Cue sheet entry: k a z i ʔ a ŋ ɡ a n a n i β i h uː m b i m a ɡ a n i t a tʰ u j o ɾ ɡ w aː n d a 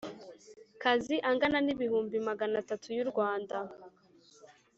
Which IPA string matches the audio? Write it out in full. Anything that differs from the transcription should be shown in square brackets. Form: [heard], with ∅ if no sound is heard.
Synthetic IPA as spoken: k a z i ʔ a ŋ ɡ a n a n i β i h uː m b i m a ɡ a n [a] t a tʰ u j [u] ɾ ɡ w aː n d a